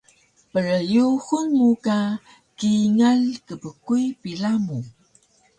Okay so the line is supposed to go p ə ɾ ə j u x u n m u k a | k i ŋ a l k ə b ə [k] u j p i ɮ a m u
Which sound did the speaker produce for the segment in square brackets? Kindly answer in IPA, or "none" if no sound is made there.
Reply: k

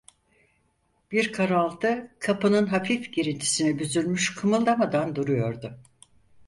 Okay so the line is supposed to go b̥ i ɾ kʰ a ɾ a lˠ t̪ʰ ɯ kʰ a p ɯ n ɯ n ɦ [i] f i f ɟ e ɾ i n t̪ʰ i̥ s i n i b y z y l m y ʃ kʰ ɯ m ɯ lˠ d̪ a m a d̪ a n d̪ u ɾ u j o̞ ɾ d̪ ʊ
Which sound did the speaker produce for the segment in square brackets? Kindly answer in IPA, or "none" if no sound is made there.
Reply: a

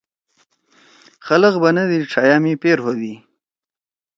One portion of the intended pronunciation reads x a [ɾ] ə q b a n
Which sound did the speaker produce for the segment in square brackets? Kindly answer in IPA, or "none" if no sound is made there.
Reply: l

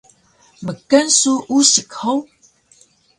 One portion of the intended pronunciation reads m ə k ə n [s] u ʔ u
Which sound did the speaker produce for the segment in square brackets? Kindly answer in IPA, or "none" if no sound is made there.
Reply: s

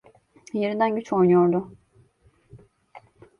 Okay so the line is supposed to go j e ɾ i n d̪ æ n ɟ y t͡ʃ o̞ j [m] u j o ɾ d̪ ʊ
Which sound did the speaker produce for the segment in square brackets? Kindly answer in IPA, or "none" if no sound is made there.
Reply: n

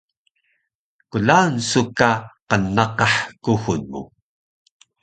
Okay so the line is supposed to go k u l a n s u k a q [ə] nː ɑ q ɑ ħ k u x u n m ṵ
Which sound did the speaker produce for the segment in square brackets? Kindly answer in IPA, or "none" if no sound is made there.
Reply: ə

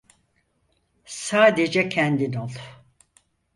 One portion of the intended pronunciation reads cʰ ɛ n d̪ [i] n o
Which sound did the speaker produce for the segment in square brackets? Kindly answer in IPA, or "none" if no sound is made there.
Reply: i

